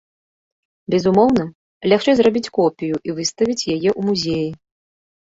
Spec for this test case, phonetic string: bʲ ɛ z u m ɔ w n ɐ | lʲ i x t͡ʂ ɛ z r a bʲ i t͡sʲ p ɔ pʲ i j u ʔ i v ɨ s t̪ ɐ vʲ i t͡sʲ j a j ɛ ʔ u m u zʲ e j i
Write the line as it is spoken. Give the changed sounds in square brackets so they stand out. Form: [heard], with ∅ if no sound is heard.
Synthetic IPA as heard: bʲ ɛ z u m ɔ w n ɐ | lʲ [a] x t͡ʂ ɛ z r a bʲ i t͡sʲ [k] ɔ pʲ i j u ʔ i v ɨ s t̪ ɐ vʲ i t͡sʲ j a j ɛ ʔ u m u zʲ e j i